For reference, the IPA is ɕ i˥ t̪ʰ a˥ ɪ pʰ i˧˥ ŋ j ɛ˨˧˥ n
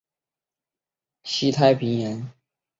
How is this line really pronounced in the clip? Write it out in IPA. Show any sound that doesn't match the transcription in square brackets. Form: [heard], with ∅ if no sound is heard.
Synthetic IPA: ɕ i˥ t̪ʰ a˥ ɪ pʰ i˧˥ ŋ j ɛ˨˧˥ n